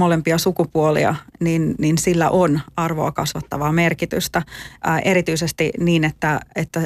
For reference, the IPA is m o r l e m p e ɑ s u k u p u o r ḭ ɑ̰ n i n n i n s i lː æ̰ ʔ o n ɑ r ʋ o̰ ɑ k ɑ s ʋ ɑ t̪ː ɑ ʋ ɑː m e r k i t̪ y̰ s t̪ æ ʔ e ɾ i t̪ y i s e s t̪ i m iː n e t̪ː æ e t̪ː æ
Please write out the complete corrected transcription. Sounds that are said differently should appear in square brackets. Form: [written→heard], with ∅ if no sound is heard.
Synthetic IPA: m o [r→∅] l e m p [e→i] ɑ s u k u p u o [r→l] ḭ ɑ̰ n i n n i n s i lː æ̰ ʔ o n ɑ r ʋ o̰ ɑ k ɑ s ʋ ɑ t̪ː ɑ ʋ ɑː m e r k i t̪ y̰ s t̪ æ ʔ e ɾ i t̪ y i s e s t̪ i [m→n] iː n e t̪ː æ e t̪ː æ